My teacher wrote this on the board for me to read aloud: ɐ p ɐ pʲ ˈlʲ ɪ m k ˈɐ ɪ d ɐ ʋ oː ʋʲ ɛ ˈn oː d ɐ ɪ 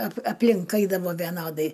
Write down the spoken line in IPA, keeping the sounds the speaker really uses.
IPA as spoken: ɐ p ɐ pʲ ˈlʲ ɪ ŋ k ˈɐ ɪ d ɐ ʋ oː ʋʲ ɛ ˈn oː d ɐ ɪ